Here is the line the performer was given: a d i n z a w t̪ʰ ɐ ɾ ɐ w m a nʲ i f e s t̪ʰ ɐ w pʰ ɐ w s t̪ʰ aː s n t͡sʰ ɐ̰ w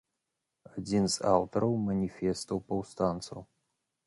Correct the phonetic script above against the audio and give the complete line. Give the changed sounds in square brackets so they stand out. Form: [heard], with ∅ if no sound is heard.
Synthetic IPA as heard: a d i n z a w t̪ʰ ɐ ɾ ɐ w m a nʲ i f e s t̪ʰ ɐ w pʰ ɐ w s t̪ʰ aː [∅] n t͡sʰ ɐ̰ w